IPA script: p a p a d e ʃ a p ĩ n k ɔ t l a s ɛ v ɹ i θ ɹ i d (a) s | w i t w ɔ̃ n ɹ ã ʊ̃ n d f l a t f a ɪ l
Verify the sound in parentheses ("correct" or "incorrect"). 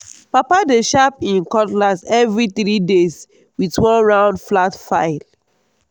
incorrect